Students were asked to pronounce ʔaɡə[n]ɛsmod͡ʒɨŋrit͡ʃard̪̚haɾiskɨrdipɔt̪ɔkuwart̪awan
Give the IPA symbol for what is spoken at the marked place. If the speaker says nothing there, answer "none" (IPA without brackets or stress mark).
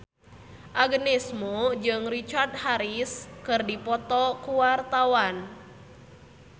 n